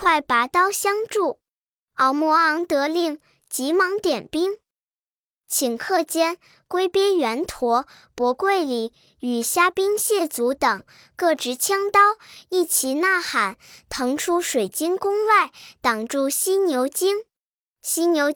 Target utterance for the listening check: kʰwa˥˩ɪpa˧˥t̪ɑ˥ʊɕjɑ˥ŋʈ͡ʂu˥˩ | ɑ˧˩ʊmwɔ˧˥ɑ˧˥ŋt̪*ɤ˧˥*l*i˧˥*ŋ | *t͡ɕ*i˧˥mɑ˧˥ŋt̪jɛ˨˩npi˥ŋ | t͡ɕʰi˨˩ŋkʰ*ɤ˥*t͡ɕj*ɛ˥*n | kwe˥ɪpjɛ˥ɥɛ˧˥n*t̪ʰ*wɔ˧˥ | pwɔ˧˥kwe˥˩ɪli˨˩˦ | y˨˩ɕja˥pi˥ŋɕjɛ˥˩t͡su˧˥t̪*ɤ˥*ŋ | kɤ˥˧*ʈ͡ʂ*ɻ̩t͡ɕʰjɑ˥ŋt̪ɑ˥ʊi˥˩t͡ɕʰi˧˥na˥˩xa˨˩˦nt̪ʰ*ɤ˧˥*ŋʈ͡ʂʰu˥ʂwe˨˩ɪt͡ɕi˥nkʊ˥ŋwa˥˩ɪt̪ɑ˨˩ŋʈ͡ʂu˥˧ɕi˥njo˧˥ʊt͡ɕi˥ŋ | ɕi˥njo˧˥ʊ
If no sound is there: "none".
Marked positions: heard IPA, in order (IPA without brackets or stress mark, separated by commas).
ɤ˧˥, i˥˩, t͡ɕ, ɤ˥˧, ɛ˥, t̪ʰ, ɤ˨˩, ʈ͡ʂ, ɤ˧˥